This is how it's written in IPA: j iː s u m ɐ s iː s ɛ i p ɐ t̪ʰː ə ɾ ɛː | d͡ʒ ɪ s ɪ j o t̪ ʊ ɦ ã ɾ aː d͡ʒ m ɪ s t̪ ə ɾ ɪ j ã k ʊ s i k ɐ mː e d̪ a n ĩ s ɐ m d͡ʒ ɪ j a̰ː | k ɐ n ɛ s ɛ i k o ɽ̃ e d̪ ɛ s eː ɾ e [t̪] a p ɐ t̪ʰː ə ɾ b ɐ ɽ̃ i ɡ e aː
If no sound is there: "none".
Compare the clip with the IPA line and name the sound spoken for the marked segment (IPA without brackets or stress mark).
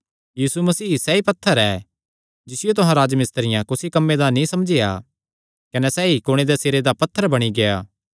d̪